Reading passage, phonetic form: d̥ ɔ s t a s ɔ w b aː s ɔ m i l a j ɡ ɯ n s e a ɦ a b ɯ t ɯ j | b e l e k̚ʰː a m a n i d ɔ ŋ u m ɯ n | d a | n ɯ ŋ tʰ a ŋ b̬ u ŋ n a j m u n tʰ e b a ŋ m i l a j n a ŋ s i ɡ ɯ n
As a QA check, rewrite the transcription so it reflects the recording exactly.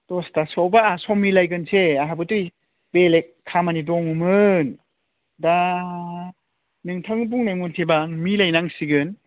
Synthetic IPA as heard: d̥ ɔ s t a s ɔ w b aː s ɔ m i l a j ɡ ɯ n s e a ɦ a b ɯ t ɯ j | b e l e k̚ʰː a m a n i d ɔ ŋ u m ɯ n | d a | n ɯ ŋ tʰ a ŋ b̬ u ŋ n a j m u n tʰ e b a ŋ m i l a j n a ŋ s i ɡ ɯ n